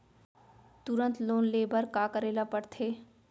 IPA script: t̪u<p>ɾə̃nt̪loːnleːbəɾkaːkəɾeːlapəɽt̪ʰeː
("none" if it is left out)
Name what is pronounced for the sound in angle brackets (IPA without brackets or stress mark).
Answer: none